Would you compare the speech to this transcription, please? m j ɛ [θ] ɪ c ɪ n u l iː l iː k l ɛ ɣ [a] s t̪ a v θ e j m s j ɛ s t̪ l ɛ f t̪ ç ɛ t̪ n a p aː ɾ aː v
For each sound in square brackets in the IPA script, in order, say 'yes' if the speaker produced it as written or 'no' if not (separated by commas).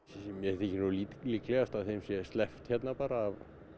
yes, yes